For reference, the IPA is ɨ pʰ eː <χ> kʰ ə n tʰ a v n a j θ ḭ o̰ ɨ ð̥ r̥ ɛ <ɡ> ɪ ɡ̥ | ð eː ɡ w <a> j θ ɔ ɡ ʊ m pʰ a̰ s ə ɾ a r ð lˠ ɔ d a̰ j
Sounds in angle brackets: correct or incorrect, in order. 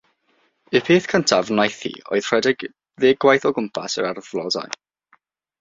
incorrect, incorrect, correct

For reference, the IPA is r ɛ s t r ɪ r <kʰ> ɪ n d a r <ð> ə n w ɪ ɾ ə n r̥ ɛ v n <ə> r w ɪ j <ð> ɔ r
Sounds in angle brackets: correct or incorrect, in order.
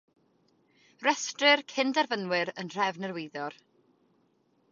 correct, incorrect, correct, correct

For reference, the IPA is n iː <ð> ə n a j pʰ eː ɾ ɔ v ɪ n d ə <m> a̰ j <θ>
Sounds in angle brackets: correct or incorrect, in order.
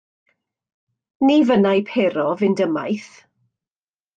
incorrect, correct, correct

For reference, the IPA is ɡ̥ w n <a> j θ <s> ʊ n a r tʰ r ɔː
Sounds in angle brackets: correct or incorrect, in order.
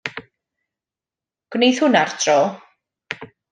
incorrect, incorrect

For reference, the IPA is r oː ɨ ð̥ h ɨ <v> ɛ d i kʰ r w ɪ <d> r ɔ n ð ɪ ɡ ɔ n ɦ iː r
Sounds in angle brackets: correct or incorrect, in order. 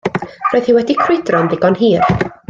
incorrect, correct

